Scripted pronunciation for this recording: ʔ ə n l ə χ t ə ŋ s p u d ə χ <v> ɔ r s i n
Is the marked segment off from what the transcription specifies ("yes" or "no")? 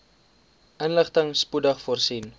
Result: yes